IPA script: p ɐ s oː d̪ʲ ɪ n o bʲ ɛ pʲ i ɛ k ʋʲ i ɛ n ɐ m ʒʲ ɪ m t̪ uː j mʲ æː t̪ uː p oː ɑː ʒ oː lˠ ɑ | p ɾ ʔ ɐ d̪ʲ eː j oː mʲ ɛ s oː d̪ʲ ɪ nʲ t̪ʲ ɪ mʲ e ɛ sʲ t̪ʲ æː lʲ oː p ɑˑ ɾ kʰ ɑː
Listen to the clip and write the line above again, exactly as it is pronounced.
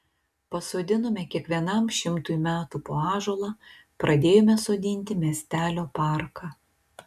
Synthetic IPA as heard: p ɐ s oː d̪ʲ ɪ n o mʲ ɛ kʲ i ɛ k ʋʲ i ɛ n ɐ m ʃʲ ɪ m t̪ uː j mʲ æː t̪ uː p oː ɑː ʒ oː lˠ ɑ | p ɾ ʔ ɐ d̪ʲ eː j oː mʲ ɛ s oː d̪ʲ ɪ nʲ t̪ʲ ɪ mʲ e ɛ sʲ t̪ʲ æː lʲ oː p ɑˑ ɾ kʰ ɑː